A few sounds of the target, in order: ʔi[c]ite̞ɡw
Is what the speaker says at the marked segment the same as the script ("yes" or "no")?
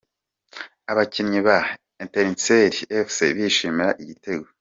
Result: no